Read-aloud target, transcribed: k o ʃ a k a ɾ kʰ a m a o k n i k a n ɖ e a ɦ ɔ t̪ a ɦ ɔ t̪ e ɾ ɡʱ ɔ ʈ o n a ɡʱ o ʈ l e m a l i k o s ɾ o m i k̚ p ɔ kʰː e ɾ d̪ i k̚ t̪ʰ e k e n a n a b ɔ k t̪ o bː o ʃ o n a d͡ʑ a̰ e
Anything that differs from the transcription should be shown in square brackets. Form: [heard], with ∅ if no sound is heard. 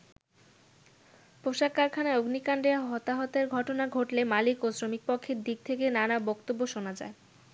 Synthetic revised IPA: [p] o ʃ a k a ɾ kʰ a [n] a o [ɡ] n i k a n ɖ e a ɦ ɔ t̪ a ɦ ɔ t̪ e ɾ ɡʱ ɔ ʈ o n a ɡʱ o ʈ l e m a l i k o s ɾ o m i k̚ p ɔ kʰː e ɾ d̪ i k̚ t̪ʰ e k e n a n a b ɔ k t̪ o bː o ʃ o n a d͡ʑ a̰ e

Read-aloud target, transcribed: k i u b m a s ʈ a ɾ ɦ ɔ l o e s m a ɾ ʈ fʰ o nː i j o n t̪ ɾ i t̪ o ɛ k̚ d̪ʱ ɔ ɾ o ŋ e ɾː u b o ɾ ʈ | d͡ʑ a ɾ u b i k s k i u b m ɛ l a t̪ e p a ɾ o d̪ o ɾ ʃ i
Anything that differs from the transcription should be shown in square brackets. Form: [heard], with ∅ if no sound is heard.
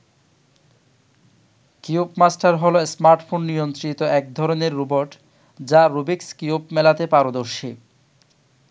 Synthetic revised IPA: k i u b m a s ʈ a ɾ ɦ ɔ l o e s m a ɾ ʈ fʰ o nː i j o n t̪ ɾ i t̪ o ɛ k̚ d̪ʱ ɔ ɾ o [n] e ɾː u b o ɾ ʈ | d͡ʑ a ɾ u b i k s k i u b m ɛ l a t̪ e p a ɾ o d̪ o ɾ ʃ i

